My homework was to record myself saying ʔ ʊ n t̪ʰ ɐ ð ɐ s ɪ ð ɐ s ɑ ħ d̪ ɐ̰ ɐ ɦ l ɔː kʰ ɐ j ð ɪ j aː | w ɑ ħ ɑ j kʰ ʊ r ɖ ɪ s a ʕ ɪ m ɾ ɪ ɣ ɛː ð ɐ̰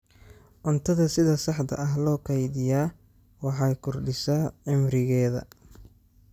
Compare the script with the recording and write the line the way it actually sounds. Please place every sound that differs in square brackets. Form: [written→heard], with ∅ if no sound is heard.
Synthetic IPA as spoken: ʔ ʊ n t̪ʰ ɐ ð ɐ s ɪ ð ɐ s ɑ ħ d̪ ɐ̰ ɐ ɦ l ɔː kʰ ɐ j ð ɪ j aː | w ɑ ħ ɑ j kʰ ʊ r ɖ ɪ s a ʕ ɪ m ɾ ɪ ɣ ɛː ð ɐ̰